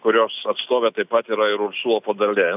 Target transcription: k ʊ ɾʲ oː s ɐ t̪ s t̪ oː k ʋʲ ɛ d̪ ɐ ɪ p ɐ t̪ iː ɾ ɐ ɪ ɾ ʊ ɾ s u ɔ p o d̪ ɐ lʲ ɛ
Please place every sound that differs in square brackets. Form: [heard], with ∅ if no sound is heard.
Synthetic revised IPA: k ʊ ɾʲ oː s ɐ t̪ s t̪ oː [∅] ʋʲ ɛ [t̪] ɐ ɪ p ɐ t̪ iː ɾ ɐ ɪ ɾ ʊ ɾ s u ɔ p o d̪ ɐ lʲ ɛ

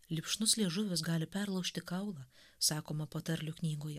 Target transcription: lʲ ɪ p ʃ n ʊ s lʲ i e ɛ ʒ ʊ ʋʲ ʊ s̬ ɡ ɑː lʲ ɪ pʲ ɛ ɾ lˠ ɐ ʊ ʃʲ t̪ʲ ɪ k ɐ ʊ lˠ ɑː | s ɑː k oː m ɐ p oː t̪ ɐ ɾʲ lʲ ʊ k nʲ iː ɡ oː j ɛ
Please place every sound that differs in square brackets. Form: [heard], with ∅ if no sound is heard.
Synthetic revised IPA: lʲ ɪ p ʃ n ʊ s lʲ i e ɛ ʒ ʊ ʋʲ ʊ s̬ ɡ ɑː lʲ ɪ pʲ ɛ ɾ lˠ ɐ ʊ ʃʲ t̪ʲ ɪ k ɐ ʊ lˠ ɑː | s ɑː k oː m ɐ p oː t̪ ɐ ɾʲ lʲ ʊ k nʲ iː ɡ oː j ɛ

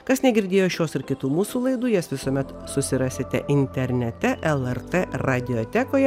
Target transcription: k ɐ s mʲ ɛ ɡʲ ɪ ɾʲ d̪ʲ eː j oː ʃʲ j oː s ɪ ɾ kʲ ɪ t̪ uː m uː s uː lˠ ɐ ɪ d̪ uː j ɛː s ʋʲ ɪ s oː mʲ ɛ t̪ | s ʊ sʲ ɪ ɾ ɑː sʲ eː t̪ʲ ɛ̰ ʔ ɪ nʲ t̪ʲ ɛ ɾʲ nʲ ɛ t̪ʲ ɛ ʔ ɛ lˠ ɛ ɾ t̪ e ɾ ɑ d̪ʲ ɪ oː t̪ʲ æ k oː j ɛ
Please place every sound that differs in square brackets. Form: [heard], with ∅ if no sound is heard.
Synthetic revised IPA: k ɐ s [nʲ] ɛ ɡʲ ɪ ɾʲ d̪ʲ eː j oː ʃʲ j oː s ɪ ɾ kʲ ɪ t̪ uː m uː s uː lˠ ɐ ɪ d̪ uː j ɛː s ʋʲ ɪ s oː mʲ ɛ t̪ | s ʊ sʲ ɪ ɾ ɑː sʲ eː t̪ʲ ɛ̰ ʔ ɪ nʲ t̪ʲ ɛ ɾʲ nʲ ɛ t̪ʲ ɛ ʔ ɛ lˠ ɛ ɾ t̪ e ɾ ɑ d̪ʲ ɪ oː t̪ʲ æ k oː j ɛ

